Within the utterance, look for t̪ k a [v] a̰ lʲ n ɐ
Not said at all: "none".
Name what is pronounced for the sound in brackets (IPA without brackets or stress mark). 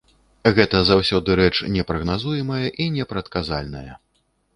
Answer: z